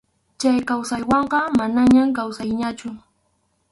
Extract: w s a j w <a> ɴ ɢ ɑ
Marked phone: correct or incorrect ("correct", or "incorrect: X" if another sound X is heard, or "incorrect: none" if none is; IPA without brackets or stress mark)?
incorrect: ɑ